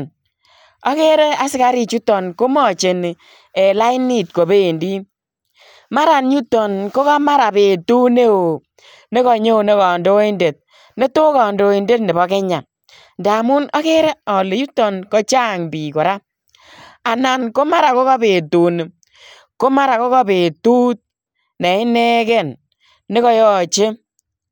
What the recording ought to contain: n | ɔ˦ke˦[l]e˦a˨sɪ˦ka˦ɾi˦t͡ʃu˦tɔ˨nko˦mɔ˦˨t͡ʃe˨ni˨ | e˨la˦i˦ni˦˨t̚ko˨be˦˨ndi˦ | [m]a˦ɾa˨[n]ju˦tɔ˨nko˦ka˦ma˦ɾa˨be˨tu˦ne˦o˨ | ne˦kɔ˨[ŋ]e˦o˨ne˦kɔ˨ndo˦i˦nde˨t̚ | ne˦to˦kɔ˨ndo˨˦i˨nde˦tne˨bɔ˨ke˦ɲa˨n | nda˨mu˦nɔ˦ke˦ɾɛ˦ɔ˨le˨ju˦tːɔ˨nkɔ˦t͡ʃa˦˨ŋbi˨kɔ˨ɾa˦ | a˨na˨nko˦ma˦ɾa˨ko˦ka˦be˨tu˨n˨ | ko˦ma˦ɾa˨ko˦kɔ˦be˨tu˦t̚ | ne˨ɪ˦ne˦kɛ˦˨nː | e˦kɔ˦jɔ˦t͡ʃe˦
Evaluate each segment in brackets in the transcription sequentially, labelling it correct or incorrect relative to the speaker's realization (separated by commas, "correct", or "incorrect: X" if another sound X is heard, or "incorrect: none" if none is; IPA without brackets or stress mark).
incorrect: ɾ, correct, correct, incorrect: ɲ